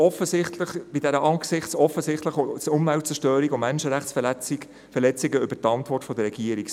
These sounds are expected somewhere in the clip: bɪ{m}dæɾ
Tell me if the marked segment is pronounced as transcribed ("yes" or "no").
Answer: no